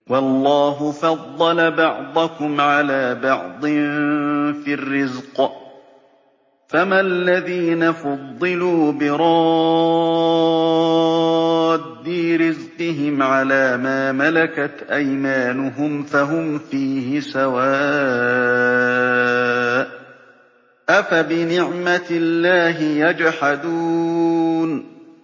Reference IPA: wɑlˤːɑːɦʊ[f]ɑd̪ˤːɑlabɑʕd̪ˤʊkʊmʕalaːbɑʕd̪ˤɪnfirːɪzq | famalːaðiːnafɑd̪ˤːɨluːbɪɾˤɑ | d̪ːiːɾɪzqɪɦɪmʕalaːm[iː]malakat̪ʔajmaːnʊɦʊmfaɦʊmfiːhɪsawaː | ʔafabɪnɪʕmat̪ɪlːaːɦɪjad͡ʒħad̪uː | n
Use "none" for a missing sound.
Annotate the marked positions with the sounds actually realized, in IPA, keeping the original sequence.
f, aː

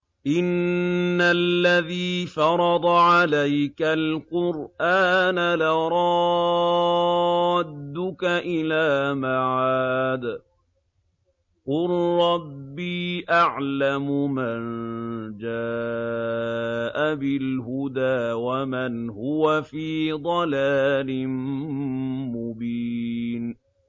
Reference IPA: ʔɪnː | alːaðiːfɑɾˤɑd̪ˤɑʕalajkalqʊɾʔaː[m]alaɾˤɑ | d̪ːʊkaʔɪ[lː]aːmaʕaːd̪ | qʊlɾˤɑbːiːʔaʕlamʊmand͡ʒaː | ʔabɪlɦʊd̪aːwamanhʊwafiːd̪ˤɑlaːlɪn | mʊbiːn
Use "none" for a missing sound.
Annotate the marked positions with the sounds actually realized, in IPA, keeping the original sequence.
n, l

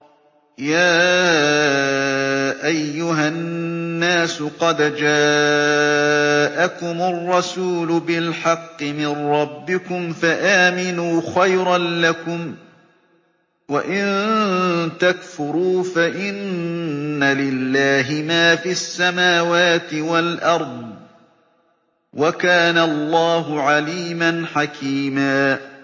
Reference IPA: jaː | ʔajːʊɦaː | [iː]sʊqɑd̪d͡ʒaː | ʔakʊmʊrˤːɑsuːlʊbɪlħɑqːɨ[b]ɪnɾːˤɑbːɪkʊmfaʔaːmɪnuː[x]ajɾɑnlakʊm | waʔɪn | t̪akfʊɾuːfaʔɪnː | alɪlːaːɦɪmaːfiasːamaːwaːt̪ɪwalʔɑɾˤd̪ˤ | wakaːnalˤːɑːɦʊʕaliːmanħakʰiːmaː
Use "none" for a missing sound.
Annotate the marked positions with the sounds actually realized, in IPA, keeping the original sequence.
aː, m, x

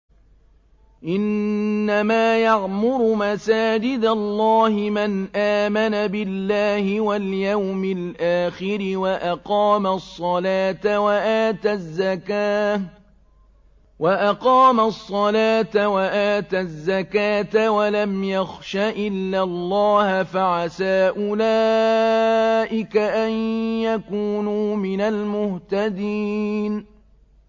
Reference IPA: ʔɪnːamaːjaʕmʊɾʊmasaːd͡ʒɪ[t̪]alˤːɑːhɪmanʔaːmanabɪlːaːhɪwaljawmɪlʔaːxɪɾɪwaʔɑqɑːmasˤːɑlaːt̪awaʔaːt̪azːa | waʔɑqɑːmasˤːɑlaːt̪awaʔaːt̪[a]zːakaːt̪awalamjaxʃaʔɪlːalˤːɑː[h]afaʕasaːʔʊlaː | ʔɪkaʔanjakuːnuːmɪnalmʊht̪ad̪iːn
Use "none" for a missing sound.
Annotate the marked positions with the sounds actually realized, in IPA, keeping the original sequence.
d̪, a, h

